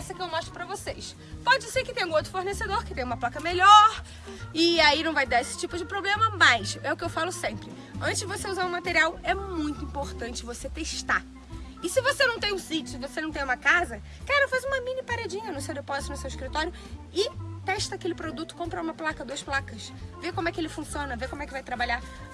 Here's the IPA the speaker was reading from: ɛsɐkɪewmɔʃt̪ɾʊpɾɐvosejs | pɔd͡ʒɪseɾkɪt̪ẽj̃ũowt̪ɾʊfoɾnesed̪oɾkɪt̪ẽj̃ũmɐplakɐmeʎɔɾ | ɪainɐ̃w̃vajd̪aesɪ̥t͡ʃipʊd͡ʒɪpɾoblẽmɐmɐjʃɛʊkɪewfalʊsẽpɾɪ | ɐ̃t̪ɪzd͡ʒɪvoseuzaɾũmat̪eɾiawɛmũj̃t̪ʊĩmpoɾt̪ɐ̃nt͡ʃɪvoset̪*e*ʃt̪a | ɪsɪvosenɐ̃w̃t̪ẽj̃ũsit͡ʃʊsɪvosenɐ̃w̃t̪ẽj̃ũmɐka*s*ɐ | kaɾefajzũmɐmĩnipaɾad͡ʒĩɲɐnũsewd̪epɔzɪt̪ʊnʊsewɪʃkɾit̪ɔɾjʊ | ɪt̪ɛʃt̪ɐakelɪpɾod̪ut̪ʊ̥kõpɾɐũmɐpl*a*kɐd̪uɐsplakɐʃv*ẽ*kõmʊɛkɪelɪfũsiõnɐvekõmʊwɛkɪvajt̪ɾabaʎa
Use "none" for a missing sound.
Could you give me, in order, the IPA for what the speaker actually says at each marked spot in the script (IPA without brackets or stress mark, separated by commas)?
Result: e, z, a, e